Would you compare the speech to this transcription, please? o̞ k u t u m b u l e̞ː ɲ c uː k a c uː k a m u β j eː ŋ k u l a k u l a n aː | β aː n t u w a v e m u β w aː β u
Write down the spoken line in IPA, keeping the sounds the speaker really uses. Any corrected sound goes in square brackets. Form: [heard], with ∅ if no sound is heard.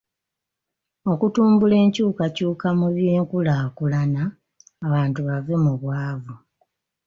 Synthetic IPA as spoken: o̞ k u t [uː] m b u l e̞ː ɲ c uː k a c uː k a m u β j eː ŋ k u l a k u l a n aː | β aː n t u [β] a v e m u β w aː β u